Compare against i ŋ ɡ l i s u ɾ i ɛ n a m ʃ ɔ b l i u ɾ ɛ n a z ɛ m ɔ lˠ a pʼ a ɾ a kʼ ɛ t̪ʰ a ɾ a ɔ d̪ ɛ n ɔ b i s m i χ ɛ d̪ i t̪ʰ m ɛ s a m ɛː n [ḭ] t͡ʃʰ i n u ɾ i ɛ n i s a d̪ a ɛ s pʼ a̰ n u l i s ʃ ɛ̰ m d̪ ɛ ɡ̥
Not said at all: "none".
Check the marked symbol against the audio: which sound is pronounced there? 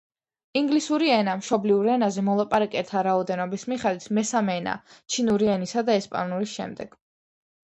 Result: a̰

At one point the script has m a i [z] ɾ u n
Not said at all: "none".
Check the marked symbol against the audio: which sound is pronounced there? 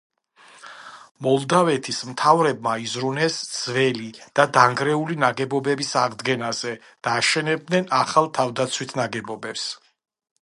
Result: z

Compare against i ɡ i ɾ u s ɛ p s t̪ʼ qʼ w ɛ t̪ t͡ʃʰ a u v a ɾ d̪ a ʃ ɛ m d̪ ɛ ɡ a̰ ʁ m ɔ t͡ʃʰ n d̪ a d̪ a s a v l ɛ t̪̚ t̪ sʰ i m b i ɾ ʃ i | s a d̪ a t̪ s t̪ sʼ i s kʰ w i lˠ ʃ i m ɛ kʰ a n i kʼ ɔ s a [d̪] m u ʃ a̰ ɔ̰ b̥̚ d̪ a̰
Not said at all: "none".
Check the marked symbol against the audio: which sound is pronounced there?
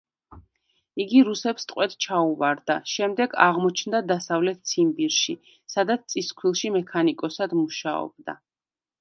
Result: d̪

